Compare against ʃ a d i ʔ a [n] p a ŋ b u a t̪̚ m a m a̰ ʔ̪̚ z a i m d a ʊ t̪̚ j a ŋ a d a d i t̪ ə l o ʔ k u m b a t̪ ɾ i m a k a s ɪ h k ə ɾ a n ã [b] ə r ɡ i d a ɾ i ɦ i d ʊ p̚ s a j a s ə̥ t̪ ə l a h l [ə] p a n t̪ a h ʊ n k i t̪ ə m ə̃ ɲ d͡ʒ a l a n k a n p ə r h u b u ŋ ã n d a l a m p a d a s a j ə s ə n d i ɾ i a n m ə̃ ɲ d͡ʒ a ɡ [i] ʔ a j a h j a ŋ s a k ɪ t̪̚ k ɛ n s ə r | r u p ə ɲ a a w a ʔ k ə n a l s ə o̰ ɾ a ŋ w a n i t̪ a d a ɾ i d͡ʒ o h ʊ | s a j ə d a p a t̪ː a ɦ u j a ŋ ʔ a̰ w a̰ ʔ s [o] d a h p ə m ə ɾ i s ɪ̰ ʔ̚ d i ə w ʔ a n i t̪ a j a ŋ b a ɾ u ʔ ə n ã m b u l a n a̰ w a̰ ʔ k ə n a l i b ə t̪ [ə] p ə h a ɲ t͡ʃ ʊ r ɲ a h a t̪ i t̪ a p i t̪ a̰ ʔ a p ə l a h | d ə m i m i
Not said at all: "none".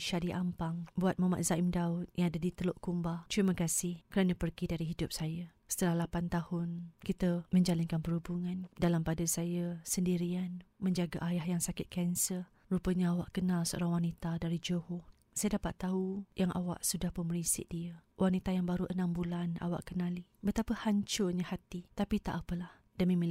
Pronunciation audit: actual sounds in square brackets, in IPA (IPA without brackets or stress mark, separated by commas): m, p, a, a, u, a